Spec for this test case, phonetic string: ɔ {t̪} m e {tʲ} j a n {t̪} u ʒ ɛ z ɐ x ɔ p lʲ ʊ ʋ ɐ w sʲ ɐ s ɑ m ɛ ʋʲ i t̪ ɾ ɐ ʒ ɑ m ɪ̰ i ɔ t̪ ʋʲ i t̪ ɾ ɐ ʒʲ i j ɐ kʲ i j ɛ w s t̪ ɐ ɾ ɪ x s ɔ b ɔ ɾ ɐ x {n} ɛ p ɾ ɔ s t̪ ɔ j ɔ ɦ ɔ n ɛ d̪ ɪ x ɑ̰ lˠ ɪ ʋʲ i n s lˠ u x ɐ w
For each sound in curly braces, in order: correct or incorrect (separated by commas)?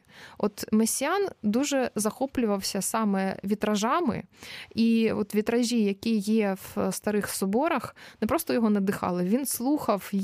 correct, incorrect, incorrect, correct